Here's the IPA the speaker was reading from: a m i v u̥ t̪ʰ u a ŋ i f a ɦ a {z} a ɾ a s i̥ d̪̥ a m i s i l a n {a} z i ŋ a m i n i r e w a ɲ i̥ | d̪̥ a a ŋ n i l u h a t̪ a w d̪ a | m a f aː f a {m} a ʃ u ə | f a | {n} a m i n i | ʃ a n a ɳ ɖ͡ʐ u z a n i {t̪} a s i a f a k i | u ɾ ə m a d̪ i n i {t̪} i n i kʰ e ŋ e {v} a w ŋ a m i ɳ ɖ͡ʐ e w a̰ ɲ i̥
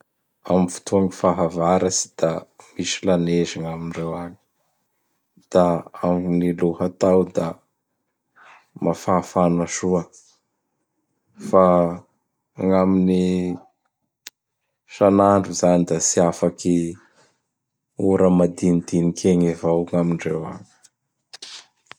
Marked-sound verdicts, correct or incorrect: incorrect: v, incorrect: e, incorrect: n, incorrect: ŋ, incorrect: d̪, incorrect: d̪, correct

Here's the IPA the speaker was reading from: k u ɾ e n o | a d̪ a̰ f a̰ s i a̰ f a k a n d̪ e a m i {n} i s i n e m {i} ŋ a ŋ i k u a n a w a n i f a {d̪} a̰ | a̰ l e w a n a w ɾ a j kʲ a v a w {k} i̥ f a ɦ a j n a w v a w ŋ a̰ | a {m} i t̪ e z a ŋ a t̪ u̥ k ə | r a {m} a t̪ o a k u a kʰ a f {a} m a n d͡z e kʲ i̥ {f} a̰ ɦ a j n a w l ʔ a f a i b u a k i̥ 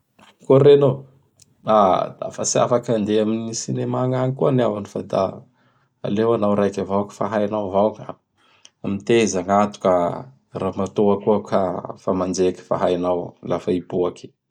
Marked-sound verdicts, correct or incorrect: correct, incorrect: a, correct, correct, correct, correct, correct, correct

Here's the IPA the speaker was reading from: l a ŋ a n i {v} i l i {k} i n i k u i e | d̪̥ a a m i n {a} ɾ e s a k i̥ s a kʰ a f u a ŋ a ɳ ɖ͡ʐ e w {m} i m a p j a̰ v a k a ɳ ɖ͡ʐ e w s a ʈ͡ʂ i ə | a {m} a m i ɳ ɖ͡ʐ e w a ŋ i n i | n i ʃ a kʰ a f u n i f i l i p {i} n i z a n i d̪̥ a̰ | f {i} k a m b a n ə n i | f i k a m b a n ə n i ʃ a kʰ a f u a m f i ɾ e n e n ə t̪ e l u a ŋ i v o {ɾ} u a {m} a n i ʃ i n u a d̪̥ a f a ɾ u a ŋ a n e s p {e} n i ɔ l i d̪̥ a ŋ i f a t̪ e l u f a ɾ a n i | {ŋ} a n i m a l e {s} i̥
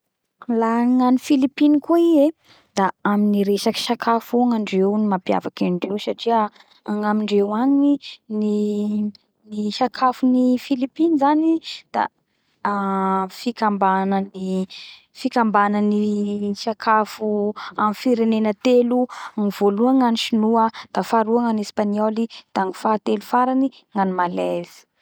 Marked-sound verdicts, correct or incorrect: incorrect: f, incorrect: p, incorrect: i, incorrect: n, incorrect: ŋ, correct, correct, incorrect: l, incorrect: ŋ, incorrect: a, correct, incorrect: z

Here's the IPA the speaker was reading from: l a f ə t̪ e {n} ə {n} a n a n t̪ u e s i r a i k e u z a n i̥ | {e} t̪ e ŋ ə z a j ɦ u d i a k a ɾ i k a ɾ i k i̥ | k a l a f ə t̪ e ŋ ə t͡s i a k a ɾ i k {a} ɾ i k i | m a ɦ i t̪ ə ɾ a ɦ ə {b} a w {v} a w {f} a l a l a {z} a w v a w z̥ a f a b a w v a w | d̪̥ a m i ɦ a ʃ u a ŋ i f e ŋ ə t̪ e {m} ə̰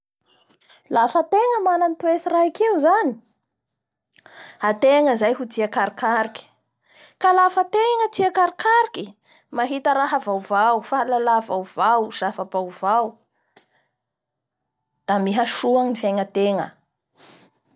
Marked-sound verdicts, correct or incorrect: incorrect: ŋ, incorrect: m, incorrect: a, correct, incorrect: v, correct, correct, incorrect: v, incorrect: ŋ

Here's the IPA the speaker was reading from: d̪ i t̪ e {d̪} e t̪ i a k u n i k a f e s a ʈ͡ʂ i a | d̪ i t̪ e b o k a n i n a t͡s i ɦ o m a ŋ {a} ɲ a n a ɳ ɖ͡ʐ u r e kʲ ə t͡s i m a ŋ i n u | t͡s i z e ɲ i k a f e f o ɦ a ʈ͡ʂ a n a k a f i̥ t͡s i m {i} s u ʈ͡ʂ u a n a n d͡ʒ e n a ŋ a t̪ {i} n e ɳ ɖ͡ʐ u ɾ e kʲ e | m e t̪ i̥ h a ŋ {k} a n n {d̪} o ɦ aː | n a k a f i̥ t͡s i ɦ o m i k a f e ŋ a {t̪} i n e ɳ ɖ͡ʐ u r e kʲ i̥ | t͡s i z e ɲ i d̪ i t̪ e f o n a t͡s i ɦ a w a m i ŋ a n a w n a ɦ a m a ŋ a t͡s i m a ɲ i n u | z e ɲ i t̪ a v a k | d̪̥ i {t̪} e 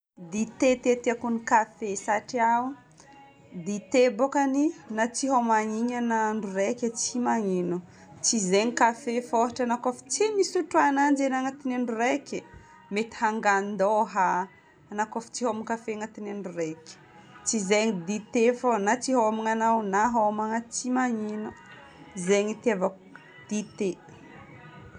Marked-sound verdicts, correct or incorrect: incorrect: t̪, incorrect: i, correct, correct, incorrect: ɡ, correct, correct, correct

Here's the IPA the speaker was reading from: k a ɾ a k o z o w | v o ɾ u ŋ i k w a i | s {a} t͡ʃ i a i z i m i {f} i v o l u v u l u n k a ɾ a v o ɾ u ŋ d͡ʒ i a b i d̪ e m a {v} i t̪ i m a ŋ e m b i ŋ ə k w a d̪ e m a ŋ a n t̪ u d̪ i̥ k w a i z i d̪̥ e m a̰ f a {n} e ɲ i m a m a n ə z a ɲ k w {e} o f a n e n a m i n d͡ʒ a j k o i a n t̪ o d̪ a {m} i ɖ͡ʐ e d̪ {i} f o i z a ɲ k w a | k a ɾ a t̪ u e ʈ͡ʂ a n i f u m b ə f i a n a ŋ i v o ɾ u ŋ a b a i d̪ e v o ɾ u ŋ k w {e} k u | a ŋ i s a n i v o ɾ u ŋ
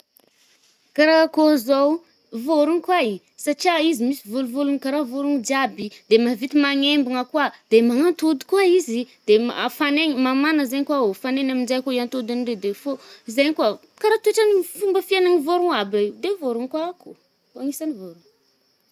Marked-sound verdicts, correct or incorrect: correct, incorrect: s, correct, correct, incorrect: a, incorrect: n, incorrect: e, incorrect: a

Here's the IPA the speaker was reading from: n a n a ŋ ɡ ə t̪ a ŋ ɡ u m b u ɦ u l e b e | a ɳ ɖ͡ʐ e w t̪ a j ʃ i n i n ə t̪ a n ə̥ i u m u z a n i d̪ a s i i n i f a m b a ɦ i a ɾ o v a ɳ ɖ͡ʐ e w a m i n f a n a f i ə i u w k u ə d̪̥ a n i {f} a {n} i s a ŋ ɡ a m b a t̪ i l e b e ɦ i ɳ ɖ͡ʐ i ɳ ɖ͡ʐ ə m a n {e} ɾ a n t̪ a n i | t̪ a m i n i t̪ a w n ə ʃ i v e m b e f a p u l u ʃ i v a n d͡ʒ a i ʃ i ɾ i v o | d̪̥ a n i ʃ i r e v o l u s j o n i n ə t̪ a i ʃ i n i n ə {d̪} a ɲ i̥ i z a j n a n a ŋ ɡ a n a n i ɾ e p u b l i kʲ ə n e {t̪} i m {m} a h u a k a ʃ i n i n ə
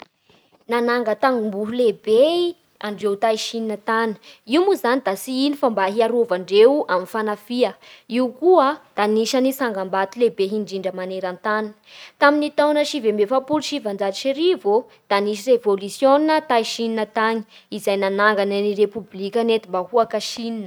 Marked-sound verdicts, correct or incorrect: incorrect: ʃ, correct, correct, incorrect: t̪, correct, incorrect: b

